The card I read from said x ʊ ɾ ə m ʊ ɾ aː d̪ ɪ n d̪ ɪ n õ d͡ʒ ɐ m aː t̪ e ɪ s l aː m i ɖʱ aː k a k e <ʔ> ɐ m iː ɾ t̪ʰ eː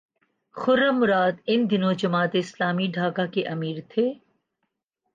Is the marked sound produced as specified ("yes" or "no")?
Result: yes